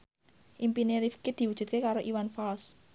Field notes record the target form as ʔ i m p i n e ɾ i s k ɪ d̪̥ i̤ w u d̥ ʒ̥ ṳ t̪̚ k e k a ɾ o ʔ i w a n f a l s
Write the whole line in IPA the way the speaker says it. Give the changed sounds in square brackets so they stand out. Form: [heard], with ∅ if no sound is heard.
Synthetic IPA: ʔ i m p i n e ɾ i [f] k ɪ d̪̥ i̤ w u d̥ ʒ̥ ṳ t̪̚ k e k a ɾ o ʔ i w a n f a l s